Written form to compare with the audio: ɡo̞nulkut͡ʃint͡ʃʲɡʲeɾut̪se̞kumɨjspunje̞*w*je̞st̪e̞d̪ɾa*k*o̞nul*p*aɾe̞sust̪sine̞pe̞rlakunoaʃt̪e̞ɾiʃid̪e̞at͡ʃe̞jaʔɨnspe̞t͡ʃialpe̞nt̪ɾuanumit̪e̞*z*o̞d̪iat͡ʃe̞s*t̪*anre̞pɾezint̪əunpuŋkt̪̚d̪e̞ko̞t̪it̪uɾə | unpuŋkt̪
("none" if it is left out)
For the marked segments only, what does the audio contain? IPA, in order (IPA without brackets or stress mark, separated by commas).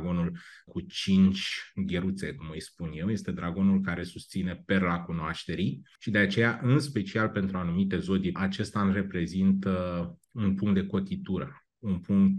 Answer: w, ɡ, k, z, t̪